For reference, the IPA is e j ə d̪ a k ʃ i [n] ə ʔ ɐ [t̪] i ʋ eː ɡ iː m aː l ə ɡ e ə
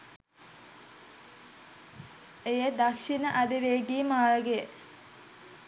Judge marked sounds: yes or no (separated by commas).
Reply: yes, no